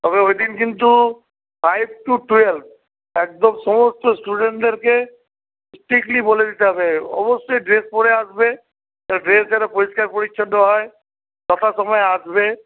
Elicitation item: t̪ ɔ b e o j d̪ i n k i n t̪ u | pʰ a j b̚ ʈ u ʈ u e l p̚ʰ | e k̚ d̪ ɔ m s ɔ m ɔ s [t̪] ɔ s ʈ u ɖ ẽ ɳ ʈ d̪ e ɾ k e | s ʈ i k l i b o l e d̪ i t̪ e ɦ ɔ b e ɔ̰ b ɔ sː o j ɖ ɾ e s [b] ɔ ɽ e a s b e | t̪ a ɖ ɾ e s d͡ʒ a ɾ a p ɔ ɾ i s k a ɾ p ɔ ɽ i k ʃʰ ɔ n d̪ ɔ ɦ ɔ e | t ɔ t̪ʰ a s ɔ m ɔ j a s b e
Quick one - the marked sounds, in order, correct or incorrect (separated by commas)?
correct, incorrect